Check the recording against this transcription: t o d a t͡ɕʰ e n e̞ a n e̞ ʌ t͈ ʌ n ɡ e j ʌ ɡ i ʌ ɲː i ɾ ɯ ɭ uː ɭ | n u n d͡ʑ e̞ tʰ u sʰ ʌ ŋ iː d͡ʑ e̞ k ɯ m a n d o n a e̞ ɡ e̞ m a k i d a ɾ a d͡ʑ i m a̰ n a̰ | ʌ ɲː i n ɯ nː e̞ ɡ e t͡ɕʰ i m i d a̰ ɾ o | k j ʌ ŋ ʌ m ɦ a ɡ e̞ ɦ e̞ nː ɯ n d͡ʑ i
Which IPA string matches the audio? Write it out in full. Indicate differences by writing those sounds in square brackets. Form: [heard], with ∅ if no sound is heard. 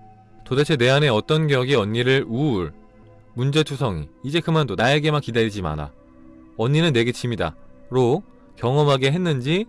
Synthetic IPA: t o d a t͡ɕʰ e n e̞ a n e̞ ʌ t͈ ʌ n ɡ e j ʌ ɡ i ʌ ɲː i ɾ ɯ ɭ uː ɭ | [m] u n d͡ʑ e̞ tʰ u sʰ ʌ ŋ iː d͡ʑ e̞ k ɯ m a n d o n a e̞ ɡ e̞ m a k i d a ɾ [i] d͡ʑ i m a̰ n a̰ | ʌ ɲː i n ɯ nː e̞ ɡ e t͡ɕʰ i m i d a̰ ɾ o | k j ʌ ŋ ʌ m ɦ a ɡ e̞ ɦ e̞ nː ɯ n d͡ʑ i